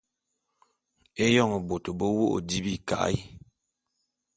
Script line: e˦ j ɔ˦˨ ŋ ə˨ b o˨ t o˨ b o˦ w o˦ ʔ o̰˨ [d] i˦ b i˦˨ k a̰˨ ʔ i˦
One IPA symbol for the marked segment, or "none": d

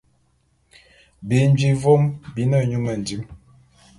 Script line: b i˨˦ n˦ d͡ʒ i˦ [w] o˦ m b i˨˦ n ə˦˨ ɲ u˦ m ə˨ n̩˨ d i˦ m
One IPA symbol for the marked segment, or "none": v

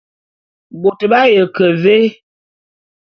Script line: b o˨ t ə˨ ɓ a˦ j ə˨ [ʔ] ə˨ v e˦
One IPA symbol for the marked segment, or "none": k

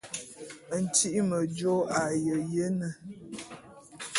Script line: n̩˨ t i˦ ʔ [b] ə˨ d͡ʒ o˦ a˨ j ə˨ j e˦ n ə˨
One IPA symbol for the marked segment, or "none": m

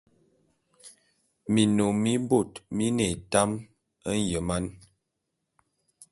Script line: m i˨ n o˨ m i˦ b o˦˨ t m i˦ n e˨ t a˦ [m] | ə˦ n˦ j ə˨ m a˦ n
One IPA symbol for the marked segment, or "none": m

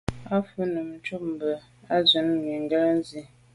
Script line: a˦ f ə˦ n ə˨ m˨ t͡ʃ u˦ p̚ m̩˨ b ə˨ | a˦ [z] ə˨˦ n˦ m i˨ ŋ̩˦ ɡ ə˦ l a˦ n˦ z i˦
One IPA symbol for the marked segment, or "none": z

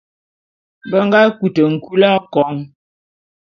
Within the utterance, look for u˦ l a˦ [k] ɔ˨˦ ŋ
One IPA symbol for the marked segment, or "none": k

